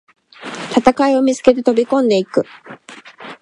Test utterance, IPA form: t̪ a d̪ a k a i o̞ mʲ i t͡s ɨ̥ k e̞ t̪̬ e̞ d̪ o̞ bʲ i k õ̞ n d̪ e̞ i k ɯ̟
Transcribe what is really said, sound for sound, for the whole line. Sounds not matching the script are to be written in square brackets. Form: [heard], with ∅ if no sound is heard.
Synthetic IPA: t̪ a [t̪] a k a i o̞ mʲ i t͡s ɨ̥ k e̞ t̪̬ e̞ [t̪] o̞ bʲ i k õ̞ n d̪ e̞ i k ɯ̟

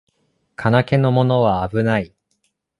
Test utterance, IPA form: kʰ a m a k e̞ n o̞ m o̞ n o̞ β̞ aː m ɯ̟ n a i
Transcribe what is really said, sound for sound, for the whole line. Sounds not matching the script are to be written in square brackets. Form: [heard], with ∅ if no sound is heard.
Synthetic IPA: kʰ a [n] a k e̞ n o̞ m o̞ n o̞ β̞ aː [b] ɯ̟ n a i

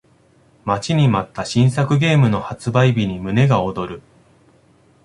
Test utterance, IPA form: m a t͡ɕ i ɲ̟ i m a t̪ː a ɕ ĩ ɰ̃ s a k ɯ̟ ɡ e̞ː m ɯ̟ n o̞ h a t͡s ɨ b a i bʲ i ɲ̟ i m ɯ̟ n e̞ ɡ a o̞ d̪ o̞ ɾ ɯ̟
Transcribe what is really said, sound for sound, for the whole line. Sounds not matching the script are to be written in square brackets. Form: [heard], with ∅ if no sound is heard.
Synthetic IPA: m a t͡ɕ i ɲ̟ i m a t̪ː a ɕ ĩ ɰ̃ s a k ɯ̟ ɡ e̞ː m ɯ̟ n o̞ h a t͡s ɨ b a i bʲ i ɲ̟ i m ɯ̟ n e̞ ɡ a o̞ d̪ o̞ ɾ ɯ̟

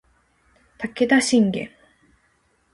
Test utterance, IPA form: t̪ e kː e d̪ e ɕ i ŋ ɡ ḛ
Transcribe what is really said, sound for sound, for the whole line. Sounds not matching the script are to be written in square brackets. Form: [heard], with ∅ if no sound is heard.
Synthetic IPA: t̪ [a] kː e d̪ [a] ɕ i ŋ ɡ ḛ

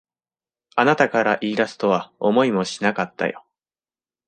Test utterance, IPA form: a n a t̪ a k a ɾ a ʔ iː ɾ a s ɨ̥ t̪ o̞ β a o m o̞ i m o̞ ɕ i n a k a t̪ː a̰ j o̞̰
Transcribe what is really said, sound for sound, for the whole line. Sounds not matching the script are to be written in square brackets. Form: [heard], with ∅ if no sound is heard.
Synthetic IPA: a n a t̪ a k a ɾ a ʔ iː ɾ a s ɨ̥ t̪ o̞ β a o m o̞ i m o̞ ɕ i n a k a t̪ː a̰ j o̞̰

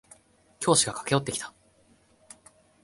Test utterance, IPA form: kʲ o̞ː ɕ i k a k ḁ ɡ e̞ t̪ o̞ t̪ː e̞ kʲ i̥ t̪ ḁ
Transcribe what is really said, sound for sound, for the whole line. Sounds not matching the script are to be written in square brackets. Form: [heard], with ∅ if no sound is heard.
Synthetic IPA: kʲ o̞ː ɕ i [ɡ] a k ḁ [k] e̞ [∅] o̞ t̪ː e̞ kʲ i̥ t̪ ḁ

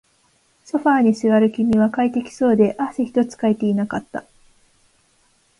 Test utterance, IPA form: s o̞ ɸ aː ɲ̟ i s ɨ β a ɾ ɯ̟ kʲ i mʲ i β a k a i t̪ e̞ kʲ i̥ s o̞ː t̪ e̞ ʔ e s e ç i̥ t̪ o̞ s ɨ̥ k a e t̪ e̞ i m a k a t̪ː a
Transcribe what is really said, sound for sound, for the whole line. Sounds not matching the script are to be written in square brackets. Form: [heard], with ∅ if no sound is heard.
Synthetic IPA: s o̞ ɸ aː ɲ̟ i s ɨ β a ɾ ɯ̟ kʲ i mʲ i β a k a i t̪ e̞ kʲ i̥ s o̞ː [d̪] e̞ ʔ [a] s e ç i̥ t̪ o̞ [t͡s] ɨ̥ k a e t̪ e̞ i [n] a k a t̪ː a

